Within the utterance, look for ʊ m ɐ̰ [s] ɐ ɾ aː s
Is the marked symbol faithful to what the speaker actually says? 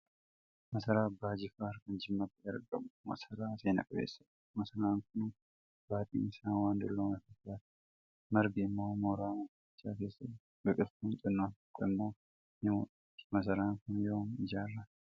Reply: yes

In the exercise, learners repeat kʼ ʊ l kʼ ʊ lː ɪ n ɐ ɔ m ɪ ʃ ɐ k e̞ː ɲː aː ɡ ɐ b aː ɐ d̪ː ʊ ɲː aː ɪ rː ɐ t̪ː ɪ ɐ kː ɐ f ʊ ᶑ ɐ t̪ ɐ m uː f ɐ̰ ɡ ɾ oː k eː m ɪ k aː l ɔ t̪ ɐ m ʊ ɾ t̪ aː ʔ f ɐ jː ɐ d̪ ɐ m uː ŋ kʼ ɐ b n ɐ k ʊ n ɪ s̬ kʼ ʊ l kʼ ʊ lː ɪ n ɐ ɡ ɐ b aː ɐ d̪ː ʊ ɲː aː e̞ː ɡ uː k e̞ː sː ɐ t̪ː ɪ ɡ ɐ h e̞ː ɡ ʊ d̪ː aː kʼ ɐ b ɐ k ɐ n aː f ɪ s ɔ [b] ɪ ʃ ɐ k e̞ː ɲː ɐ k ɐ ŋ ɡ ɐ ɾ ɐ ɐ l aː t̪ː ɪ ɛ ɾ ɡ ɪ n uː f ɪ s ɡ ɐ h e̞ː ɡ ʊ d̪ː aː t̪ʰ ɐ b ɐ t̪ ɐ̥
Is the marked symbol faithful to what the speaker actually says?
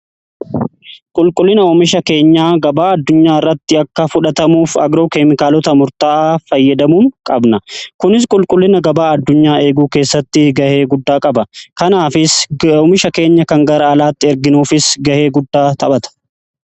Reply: no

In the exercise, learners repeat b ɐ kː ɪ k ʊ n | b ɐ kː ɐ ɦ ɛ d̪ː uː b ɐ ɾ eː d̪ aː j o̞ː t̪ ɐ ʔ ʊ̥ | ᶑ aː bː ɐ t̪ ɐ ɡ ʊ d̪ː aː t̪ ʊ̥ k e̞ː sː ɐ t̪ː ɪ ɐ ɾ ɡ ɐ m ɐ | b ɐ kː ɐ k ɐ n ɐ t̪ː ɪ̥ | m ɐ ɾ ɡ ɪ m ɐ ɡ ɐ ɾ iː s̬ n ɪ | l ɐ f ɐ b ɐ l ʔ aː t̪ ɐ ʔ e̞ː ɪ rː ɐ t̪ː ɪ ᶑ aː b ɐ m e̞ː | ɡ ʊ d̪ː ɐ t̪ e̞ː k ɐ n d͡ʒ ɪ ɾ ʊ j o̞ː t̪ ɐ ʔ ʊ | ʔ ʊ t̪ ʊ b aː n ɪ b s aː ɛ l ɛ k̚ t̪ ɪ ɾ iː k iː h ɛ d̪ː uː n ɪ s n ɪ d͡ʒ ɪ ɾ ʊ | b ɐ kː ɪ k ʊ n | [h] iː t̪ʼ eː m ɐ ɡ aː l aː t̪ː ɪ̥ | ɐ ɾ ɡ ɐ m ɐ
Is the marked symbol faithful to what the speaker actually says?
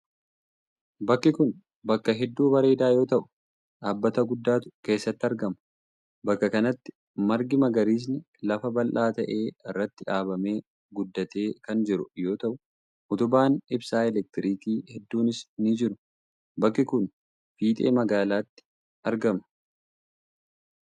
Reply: no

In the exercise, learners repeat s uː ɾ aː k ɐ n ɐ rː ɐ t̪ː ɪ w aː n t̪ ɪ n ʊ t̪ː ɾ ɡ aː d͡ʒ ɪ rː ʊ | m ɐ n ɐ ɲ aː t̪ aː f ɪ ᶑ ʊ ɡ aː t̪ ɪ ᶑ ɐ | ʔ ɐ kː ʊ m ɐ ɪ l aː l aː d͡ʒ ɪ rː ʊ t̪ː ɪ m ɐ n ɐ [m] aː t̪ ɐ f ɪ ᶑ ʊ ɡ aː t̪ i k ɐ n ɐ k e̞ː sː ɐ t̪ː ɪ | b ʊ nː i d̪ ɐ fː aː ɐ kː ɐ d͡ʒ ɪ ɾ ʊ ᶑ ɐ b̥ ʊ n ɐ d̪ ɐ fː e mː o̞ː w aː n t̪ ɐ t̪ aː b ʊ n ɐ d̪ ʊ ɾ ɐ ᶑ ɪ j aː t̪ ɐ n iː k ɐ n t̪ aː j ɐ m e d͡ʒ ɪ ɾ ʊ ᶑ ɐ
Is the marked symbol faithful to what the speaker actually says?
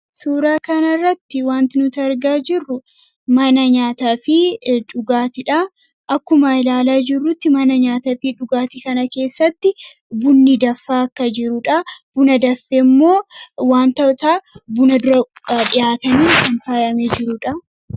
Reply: no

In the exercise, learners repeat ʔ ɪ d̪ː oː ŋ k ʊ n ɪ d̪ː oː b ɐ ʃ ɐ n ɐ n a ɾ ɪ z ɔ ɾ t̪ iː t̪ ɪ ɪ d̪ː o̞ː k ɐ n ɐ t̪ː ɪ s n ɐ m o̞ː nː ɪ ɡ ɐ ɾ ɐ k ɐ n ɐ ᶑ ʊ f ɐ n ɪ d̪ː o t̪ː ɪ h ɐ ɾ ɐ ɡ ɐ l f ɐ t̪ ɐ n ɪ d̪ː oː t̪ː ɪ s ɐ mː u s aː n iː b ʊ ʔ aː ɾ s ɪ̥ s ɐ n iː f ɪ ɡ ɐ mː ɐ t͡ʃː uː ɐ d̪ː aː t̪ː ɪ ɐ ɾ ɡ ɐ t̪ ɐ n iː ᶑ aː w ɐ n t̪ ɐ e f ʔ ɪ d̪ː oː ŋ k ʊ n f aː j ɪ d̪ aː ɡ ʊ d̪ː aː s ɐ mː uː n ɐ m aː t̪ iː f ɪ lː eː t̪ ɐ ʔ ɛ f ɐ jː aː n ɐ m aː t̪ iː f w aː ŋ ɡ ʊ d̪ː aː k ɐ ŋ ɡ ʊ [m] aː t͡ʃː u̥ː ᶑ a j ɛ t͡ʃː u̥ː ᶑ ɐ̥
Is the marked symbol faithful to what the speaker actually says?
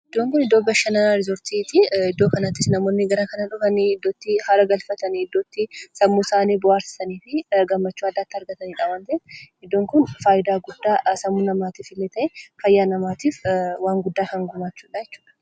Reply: yes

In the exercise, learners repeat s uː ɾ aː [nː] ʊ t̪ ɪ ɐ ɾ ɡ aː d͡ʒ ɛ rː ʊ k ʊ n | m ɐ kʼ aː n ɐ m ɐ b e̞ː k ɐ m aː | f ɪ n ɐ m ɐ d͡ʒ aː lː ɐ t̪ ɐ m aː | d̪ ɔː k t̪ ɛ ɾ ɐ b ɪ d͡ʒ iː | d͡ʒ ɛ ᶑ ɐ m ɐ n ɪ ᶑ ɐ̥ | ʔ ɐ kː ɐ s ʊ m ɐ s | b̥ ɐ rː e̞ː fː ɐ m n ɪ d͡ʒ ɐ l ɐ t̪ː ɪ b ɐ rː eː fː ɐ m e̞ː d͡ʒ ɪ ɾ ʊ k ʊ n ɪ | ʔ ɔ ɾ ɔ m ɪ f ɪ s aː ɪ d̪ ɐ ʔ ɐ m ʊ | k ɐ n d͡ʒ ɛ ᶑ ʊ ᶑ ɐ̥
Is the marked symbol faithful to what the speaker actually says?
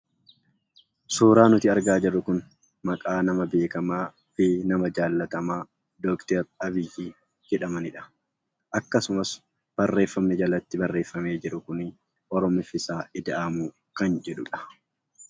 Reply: no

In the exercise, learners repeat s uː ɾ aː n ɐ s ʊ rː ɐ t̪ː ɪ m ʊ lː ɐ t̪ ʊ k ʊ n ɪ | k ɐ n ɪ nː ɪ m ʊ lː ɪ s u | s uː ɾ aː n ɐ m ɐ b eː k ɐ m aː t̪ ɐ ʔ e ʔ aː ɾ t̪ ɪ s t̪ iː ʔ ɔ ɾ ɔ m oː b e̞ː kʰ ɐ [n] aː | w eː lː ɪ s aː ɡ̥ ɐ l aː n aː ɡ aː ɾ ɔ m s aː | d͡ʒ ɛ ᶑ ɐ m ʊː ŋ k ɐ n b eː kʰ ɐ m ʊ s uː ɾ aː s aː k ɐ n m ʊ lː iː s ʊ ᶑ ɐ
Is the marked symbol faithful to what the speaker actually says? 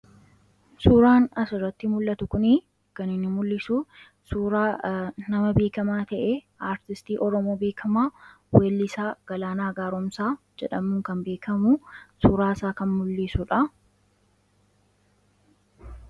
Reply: no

